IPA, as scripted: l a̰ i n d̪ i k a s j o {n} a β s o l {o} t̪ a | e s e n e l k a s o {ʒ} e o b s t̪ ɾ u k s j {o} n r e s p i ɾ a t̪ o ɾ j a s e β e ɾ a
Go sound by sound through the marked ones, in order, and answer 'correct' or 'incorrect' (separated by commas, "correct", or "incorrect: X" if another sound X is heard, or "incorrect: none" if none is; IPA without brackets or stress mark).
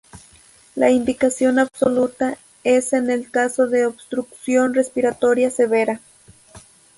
correct, incorrect: u, incorrect: ð, correct